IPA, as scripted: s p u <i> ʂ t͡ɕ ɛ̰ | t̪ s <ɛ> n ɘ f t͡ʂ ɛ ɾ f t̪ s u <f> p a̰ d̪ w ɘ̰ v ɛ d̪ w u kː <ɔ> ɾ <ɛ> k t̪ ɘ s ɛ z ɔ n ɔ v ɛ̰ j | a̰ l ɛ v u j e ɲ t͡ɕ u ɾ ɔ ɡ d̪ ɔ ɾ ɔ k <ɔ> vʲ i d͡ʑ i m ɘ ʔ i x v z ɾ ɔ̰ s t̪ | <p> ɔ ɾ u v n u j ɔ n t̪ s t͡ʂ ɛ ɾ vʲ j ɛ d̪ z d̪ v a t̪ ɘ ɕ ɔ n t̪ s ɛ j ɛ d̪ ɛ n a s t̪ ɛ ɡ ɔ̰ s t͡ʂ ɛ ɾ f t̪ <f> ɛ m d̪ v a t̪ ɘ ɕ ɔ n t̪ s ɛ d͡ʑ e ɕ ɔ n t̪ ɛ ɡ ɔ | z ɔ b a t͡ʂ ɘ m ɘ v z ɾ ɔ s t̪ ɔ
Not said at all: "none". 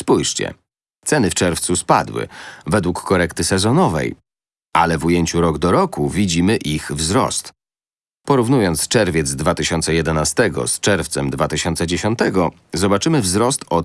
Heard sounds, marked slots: j, ɛ, s, ɔ, ɛ, u, p, s

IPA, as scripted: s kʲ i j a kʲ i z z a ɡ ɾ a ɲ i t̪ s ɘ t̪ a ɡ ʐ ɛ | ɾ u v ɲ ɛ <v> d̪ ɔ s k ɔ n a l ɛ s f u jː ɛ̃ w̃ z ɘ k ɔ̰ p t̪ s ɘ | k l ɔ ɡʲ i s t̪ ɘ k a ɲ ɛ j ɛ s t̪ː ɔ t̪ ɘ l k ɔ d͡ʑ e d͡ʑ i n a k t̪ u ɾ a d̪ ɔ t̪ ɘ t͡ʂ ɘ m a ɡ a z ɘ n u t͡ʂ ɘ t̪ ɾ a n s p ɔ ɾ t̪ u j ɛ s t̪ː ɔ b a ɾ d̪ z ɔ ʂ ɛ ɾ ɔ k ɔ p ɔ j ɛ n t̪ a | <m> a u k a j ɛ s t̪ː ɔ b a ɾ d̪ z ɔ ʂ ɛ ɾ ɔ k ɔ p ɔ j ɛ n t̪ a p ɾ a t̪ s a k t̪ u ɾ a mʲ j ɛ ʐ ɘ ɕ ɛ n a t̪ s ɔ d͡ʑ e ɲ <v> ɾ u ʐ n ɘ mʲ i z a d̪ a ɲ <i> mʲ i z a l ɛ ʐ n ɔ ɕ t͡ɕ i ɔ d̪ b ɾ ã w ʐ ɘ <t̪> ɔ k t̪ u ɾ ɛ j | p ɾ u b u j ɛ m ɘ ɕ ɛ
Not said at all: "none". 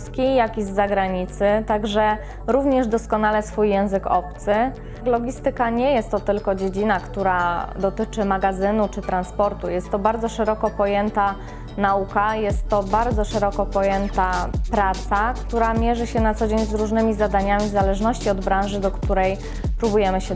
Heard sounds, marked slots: ʐ, n, z, a, d̪

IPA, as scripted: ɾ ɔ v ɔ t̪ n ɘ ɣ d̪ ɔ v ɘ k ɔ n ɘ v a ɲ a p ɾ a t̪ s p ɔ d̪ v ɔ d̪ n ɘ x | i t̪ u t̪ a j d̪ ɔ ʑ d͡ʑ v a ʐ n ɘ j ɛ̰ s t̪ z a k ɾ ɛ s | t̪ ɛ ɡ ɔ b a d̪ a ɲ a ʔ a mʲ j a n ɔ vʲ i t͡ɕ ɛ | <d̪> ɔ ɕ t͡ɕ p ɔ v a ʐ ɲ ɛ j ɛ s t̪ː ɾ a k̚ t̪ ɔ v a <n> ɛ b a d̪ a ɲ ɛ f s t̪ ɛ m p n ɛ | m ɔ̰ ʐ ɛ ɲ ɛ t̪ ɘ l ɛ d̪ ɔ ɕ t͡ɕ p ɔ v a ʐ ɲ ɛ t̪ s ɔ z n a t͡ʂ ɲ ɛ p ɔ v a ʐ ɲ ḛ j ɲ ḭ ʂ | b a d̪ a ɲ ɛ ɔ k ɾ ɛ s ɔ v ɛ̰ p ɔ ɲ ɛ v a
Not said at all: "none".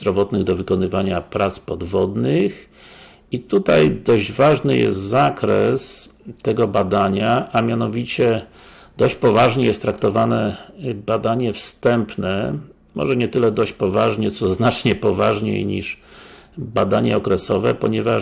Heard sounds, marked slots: d̪, n

